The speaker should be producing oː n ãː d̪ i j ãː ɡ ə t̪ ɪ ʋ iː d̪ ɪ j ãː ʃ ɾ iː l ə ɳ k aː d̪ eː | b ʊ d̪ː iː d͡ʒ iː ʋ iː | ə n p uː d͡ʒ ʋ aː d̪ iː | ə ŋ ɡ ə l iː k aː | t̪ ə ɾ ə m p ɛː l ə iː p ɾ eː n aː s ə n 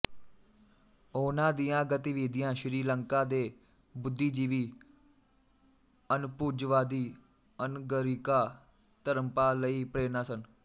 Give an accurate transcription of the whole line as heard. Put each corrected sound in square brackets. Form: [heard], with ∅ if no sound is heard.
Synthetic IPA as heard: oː n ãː d̪ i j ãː ɡ ə t̪ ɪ ʋ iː d̪ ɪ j ãː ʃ ɾ iː l ə [ŋ] k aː d̪ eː | b ʊ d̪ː iː d͡ʒ iː ʋ iː | ə n p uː d͡ʒ ʋ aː d̪ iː | ə [n] ɡ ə [ɾ] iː k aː | t̪ ə ɾ ə m p [aː] l ə iː p ɾ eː n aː s ə n